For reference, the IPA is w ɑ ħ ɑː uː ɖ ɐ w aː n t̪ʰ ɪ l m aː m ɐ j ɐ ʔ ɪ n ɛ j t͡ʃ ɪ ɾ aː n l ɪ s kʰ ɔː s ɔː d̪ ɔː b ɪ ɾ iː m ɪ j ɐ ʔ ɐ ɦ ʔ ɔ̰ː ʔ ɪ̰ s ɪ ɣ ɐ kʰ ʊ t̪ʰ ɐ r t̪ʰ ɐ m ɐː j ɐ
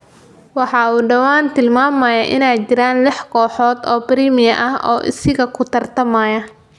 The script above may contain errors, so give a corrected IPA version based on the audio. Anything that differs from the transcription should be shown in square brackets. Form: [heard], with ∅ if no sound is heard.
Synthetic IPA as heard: w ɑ ħ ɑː uː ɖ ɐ w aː n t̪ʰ ɪ l m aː m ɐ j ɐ ʔ ɪ n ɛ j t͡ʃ ɪ ɾ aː n l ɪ [ħ] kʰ ɔː [ħ] ɔː d̪ ɔː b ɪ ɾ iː m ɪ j ɐ ʔ ɐ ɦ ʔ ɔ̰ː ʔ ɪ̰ s ɪ ɣ ɐ kʰ ʊ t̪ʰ ɐ r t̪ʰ ɐ m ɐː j ɐ